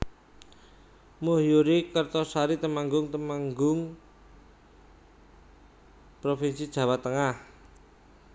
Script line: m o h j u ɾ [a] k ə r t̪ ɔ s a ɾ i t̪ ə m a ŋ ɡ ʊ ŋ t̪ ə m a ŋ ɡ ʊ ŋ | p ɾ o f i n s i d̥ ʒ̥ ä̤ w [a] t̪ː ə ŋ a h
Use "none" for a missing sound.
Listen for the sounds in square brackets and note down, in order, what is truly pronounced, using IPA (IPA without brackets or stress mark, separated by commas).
i, a